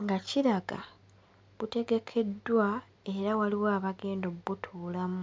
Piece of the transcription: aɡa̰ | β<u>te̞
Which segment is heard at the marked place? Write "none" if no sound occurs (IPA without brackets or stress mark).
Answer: u